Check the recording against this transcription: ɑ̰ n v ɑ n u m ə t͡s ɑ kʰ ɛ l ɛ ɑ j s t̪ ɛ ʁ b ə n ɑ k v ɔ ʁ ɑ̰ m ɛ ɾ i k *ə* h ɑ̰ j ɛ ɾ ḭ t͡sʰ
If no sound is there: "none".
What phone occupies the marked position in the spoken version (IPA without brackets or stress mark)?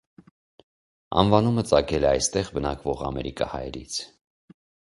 ɑ